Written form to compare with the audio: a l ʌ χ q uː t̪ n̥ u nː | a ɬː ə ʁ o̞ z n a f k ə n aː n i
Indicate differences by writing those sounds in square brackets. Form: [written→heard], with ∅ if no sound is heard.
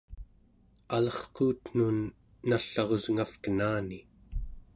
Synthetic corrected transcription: a l ʌ χ q uː t̪ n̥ u nː | a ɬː [ə→ɑ] ʁ o̞ z [n→ŋ] a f k ə n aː n i